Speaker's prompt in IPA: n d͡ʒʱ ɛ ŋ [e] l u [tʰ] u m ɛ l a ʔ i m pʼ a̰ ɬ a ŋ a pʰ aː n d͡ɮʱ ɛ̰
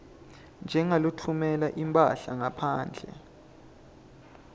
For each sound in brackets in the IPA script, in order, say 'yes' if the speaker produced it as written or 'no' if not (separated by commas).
no, yes